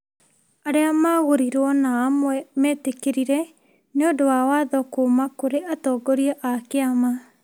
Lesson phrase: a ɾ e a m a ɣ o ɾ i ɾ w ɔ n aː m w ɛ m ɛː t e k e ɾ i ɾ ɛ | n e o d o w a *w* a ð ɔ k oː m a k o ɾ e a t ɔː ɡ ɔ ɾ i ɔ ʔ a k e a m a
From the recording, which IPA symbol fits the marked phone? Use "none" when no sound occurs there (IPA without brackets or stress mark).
w